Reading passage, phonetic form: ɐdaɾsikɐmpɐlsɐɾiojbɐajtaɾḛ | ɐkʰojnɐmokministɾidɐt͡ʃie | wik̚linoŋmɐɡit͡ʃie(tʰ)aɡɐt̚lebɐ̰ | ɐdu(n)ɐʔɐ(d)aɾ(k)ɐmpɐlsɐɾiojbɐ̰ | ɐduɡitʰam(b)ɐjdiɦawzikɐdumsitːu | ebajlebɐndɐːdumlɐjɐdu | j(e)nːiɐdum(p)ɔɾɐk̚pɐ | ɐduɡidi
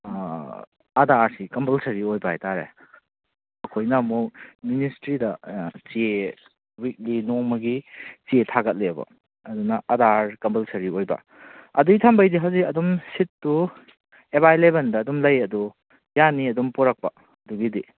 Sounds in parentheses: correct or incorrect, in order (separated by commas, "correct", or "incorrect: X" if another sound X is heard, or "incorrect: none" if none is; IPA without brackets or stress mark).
correct, correct, correct, correct, correct, incorrect: a, correct